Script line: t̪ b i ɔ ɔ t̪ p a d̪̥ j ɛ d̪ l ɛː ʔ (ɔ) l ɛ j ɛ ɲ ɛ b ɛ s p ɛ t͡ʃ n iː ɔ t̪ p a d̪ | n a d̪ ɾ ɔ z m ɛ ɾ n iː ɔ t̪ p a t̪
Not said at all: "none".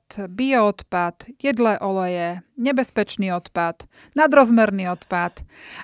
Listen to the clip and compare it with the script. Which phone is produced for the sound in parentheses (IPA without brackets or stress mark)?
ɔ